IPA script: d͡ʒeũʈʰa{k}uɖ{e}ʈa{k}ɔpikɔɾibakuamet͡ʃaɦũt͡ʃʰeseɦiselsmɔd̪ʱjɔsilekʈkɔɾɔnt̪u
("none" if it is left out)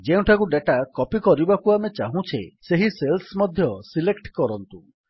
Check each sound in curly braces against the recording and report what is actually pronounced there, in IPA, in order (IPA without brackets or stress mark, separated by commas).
k, e, k